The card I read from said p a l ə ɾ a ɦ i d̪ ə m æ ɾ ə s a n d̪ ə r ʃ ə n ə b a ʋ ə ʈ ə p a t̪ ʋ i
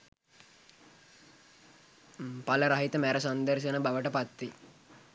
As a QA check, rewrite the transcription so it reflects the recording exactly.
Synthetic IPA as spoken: p a l ə ɾ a ɦ i t̪ ə m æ ɾ ə s a n d̪ ə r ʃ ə n ə b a ʋ ə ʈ ə p a t̪ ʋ i